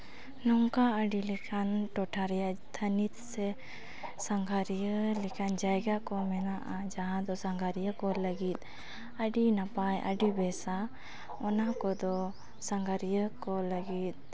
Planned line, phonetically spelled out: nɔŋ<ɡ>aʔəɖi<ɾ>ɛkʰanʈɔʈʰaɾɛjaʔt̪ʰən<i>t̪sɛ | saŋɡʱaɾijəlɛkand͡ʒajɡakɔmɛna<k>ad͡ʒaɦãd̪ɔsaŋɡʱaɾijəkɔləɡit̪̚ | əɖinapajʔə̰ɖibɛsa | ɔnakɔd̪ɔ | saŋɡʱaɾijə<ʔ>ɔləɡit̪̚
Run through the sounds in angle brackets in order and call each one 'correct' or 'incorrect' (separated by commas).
incorrect, incorrect, correct, incorrect, incorrect